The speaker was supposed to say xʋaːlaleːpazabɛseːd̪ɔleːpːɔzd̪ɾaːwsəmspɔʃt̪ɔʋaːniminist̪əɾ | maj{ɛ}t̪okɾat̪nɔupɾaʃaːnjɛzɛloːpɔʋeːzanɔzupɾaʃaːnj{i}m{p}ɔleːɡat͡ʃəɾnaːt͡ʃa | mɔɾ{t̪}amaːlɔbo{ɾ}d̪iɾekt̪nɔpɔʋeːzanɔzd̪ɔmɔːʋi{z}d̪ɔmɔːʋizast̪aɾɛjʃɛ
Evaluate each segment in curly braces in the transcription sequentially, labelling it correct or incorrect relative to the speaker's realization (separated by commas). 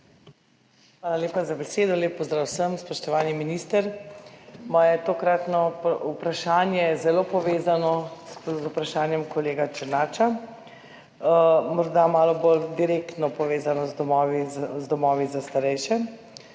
correct, incorrect, incorrect, incorrect, incorrect, correct